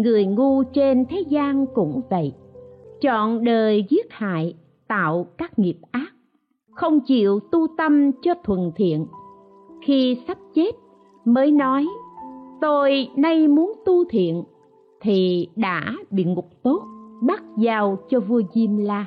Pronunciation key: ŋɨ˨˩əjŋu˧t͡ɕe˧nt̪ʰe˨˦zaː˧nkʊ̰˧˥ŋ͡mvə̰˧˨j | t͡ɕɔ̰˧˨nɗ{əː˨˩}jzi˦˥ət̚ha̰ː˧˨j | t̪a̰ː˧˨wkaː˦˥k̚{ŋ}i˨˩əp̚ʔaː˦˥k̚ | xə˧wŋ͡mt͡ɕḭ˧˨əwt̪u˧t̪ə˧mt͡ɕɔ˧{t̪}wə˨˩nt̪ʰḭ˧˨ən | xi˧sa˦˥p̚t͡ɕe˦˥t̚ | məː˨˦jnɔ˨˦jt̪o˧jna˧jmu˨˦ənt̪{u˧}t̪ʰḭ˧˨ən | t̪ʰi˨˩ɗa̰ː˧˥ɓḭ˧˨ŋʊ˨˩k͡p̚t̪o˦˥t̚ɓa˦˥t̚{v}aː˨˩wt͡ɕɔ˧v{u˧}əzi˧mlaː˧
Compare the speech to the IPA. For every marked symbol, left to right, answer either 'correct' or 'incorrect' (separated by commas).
correct, correct, incorrect, correct, incorrect, correct